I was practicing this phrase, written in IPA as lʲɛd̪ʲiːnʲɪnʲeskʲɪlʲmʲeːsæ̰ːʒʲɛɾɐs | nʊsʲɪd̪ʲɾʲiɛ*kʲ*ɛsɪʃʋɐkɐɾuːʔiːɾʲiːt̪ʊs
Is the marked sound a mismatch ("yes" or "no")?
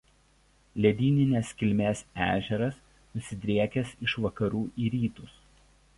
no